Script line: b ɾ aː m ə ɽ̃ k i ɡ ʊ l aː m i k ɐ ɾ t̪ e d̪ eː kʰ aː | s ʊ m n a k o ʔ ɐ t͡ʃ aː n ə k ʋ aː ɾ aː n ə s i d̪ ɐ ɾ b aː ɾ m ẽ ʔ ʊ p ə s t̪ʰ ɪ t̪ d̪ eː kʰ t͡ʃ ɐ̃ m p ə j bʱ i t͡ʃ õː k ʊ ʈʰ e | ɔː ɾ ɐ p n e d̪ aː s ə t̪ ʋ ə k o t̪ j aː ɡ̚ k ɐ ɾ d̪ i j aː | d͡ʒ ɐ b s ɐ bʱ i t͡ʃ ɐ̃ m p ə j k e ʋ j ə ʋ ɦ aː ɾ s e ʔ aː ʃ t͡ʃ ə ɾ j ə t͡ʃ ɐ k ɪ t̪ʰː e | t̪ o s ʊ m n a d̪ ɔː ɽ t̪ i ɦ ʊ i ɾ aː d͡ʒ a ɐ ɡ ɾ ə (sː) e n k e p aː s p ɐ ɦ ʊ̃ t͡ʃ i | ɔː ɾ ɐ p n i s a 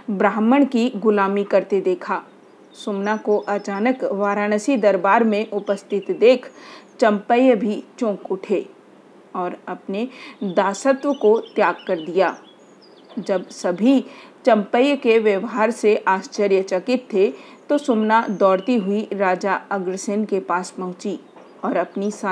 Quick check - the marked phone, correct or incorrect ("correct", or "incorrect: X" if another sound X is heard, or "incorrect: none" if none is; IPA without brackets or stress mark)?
incorrect: s